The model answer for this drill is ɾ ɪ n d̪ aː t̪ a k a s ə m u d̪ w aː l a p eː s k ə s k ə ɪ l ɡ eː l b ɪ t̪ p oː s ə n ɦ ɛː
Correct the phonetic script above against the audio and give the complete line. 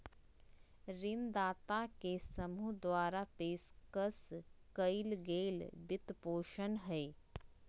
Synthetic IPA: ɾ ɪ n d̪ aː t̪ a k e s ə m u d̪ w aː ɾ a p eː s k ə s k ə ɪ l ɡ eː l b ɪ t̪ p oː ʃ ə n ɦ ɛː